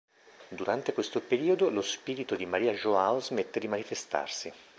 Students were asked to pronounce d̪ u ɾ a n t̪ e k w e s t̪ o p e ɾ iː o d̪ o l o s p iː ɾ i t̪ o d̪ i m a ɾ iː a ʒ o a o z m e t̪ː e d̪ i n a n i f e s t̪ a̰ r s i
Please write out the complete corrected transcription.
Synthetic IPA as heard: d̪ u ɾ a n t̪ e k w e s t̪ o p e ɾ iː o d̪ o l o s p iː ɾ i t̪ o d̪ i m a ɾ iː a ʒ o a o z m e t̪ː e d̪ i m a n i f e s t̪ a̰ r s i